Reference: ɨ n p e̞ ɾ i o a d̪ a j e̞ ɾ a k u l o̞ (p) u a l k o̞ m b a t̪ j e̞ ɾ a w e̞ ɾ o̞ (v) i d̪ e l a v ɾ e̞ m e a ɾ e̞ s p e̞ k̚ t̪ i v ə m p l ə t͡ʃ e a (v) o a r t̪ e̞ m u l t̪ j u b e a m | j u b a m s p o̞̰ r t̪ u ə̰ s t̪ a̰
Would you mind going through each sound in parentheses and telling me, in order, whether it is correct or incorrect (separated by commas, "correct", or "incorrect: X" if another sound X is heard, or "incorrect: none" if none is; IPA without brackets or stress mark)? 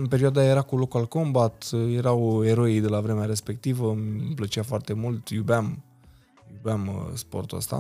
incorrect: k, incorrect: none, incorrect: f